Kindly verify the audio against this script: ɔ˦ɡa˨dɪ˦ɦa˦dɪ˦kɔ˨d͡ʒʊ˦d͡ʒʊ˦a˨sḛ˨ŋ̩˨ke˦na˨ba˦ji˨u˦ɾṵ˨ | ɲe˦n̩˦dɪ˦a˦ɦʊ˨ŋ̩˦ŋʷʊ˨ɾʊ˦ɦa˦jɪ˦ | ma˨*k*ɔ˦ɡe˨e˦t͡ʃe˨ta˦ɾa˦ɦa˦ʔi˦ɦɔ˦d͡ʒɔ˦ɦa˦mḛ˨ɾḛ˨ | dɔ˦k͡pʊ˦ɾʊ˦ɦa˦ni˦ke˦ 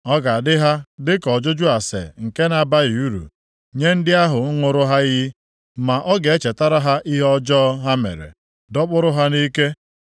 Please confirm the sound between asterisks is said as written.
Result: no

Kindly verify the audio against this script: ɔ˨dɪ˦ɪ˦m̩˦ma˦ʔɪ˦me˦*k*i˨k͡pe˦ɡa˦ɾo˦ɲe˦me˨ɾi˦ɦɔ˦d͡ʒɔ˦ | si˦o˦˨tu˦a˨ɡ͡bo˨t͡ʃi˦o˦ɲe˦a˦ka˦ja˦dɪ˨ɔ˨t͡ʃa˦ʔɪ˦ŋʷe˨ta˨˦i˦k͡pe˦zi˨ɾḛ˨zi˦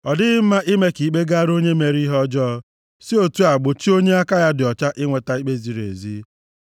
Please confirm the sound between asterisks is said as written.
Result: yes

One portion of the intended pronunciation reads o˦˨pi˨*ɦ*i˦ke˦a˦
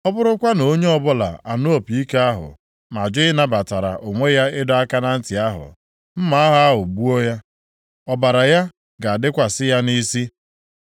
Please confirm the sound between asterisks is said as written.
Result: no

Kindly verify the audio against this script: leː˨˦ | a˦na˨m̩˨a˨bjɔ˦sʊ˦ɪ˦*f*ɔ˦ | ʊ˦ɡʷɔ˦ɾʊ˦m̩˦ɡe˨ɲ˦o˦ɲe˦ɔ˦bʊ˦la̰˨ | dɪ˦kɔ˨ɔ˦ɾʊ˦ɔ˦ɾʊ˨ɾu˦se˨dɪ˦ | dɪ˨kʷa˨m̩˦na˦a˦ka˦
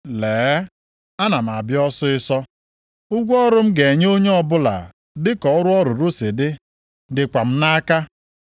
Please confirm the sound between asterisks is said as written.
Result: no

